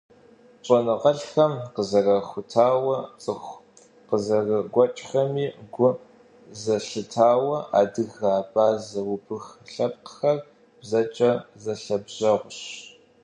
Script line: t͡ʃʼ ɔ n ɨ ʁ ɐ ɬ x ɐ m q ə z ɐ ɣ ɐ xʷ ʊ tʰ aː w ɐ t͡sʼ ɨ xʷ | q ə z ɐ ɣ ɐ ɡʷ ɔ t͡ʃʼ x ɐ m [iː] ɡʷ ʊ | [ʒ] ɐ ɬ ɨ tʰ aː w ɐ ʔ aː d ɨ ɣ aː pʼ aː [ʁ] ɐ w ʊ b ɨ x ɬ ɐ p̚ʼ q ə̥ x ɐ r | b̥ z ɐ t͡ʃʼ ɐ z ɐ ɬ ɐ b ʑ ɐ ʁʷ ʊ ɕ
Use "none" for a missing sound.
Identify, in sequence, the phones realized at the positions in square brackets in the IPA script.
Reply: iː, z, z

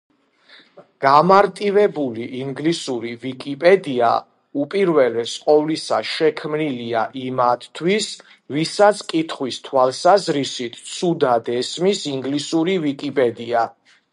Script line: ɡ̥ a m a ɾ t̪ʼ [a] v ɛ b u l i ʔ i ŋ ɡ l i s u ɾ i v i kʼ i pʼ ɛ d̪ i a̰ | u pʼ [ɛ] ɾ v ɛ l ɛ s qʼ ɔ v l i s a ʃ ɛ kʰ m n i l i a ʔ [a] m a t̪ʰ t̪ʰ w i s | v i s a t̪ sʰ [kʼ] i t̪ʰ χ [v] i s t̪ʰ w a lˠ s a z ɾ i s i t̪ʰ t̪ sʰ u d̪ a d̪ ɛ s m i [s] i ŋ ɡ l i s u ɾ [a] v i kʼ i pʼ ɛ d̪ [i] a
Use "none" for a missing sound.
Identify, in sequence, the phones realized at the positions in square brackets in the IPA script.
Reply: i, i, i, kʼ, w, s, i, i

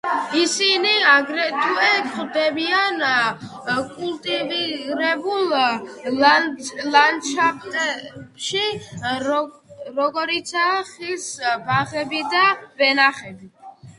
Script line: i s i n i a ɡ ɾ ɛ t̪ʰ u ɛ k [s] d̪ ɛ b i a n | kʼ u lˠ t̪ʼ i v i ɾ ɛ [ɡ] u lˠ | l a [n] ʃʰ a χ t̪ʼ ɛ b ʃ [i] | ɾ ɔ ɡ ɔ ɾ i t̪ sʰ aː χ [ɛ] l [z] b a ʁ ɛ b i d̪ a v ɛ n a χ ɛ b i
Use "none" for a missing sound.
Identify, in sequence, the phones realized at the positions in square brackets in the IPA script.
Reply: χ, b, n, i, i, s

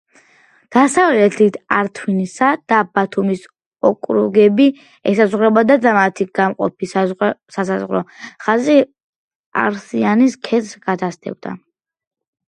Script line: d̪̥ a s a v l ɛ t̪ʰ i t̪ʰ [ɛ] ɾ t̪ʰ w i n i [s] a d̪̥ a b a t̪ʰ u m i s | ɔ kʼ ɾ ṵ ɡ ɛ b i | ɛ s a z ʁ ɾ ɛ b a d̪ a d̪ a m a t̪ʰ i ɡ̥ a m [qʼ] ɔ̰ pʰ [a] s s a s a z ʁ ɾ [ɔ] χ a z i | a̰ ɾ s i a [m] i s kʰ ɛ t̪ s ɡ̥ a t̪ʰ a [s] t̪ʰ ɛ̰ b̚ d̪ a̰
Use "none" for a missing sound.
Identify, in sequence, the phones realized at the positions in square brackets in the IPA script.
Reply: a, s, qʼ, i, ɔ, n, s

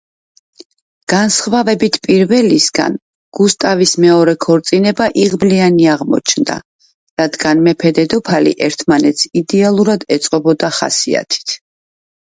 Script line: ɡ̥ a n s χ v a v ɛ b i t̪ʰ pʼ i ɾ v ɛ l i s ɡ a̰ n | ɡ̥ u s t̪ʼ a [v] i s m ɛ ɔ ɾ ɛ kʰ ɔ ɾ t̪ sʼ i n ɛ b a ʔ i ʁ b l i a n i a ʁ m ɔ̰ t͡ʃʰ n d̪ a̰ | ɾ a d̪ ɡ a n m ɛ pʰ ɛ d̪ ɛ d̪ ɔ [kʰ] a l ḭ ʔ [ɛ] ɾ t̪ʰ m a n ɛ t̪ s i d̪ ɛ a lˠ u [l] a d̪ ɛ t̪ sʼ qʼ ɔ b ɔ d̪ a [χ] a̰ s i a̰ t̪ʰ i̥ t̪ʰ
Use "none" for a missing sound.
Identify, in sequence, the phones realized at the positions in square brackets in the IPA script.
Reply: v, pʰ, ɛ, ɾ, χ

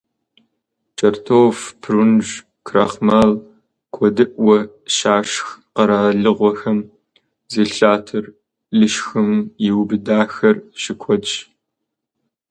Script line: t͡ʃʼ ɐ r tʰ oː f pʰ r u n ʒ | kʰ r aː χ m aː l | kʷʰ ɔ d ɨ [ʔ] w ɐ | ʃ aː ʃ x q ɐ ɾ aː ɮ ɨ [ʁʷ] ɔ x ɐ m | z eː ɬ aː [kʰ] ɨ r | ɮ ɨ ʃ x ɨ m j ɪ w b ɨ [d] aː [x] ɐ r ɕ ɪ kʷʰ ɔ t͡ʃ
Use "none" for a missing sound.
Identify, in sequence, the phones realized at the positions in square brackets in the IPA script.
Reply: ʔ, ʁʷ, tʰ, d, x

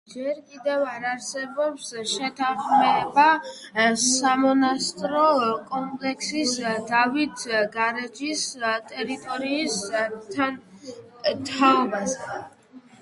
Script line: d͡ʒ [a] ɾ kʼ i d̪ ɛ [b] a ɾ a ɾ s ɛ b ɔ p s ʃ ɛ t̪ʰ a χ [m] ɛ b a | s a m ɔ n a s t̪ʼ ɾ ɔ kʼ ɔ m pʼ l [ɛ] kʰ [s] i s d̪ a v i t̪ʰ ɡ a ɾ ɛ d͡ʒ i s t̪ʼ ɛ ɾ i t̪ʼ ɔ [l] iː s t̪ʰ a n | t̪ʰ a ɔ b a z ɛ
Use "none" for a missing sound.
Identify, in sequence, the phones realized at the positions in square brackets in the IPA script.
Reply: ɛ, v, m, ɛ, s, ɾ

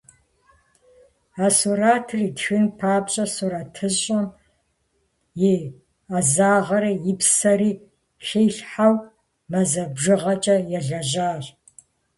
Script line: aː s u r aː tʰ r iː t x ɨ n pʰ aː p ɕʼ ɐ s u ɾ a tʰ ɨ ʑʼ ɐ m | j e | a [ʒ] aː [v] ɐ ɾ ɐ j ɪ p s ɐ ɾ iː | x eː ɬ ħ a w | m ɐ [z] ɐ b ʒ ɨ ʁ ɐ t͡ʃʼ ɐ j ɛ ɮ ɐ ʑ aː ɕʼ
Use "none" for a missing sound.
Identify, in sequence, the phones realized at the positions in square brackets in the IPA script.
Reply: z, ʁ, z

